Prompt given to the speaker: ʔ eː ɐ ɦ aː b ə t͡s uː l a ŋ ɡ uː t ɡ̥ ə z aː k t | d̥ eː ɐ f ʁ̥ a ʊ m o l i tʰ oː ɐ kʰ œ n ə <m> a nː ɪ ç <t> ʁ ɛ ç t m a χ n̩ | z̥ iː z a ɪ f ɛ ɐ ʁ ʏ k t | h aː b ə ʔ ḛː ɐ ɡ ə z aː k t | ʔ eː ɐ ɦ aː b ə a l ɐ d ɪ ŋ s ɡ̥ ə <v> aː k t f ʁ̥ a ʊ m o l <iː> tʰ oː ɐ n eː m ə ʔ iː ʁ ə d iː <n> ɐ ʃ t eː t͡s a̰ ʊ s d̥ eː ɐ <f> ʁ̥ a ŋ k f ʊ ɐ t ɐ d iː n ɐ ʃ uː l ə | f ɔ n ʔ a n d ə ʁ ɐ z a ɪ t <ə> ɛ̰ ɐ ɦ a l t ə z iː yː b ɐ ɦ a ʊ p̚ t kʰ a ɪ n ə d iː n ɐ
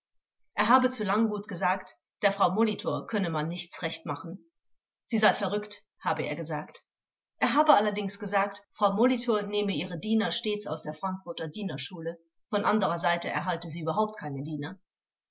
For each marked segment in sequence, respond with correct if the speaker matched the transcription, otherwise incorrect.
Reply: correct, incorrect: t͡s, incorrect: z, incorrect: i, correct, correct, correct

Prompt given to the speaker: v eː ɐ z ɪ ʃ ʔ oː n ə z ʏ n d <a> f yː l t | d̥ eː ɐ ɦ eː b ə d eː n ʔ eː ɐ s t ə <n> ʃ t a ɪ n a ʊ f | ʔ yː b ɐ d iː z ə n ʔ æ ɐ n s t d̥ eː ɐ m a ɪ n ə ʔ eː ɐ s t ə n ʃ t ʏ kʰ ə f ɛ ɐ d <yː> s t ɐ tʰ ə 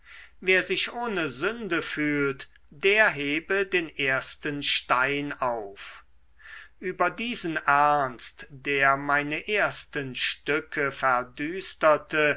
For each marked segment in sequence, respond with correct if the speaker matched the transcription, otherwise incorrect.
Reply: incorrect: ə, correct, correct

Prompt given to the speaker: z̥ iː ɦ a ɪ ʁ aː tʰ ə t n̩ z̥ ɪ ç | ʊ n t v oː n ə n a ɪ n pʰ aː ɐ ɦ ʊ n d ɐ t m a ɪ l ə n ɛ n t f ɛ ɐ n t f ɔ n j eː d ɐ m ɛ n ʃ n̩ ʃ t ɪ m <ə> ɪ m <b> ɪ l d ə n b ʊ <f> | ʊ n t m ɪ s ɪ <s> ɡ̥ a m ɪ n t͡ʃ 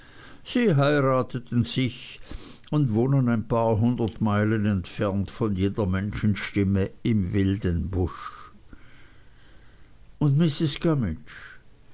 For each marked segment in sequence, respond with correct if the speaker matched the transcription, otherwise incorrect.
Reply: correct, incorrect: v, incorrect: ʃ, correct

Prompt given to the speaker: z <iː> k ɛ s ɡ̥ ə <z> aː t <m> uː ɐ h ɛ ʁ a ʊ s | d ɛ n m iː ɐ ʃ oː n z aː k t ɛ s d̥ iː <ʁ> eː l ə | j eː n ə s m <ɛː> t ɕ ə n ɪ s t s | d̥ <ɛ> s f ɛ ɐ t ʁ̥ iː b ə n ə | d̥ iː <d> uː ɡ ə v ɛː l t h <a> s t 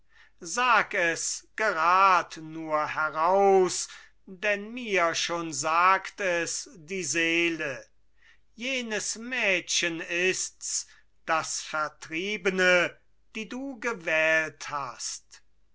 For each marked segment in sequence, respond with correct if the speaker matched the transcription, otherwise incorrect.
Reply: incorrect: aː, incorrect: ʁ, incorrect: n, incorrect: z, correct, incorrect: a, correct, correct

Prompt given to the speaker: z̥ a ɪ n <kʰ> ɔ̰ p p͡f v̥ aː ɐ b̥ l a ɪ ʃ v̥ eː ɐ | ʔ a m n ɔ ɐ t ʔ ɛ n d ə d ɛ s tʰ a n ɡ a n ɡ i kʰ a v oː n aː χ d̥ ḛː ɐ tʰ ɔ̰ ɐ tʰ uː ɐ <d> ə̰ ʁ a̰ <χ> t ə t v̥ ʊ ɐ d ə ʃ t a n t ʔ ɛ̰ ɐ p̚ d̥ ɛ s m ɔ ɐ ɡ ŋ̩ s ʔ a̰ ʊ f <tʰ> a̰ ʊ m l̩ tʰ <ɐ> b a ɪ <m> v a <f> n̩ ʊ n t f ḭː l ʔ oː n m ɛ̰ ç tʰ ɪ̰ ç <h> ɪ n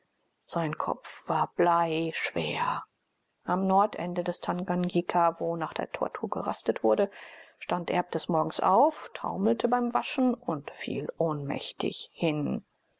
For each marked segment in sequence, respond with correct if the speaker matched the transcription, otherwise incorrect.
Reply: correct, incorrect: ɡ, incorrect: s, correct, incorrect: ə, correct, incorrect: ʃ, correct

